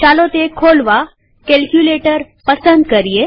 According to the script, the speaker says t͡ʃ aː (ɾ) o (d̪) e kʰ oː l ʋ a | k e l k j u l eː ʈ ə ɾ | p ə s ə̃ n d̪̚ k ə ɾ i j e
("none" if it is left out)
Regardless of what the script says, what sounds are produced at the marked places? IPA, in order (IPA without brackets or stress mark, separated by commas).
l, t̪